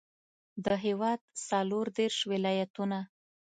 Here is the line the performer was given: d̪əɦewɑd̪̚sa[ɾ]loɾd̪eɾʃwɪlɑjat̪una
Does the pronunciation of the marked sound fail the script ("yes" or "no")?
yes